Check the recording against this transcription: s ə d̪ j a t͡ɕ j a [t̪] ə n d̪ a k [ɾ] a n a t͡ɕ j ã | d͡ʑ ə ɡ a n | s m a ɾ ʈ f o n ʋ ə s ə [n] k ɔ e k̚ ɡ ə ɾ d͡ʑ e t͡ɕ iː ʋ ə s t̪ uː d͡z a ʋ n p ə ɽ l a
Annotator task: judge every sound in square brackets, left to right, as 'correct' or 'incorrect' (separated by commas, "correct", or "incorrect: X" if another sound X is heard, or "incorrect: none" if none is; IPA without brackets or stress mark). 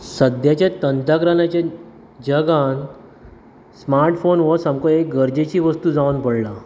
correct, correct, incorrect: m